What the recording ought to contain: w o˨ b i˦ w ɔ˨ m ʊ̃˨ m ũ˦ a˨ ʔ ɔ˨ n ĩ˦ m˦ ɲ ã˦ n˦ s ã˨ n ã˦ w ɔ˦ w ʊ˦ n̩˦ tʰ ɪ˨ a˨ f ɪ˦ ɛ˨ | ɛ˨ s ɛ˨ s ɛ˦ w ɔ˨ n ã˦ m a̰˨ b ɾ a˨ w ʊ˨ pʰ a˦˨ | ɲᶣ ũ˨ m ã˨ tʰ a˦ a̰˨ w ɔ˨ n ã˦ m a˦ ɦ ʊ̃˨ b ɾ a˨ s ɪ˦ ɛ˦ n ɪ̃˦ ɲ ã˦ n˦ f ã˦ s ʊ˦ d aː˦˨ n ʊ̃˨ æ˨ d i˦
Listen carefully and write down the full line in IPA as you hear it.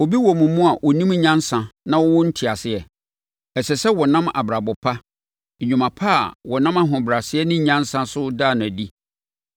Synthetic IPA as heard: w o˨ b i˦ w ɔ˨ m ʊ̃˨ m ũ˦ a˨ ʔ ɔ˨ n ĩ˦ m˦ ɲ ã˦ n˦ s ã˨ n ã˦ w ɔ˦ w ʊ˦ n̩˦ tʰ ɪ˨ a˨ s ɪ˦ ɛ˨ | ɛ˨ s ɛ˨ s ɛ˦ w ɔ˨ n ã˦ m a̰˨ b ɾ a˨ b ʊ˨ pʰ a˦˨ | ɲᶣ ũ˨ m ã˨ pʰ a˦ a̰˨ w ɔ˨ n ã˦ m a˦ ɦ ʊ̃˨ b ɾ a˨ s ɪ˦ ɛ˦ n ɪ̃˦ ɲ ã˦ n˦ s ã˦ s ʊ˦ d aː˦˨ n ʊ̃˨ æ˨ d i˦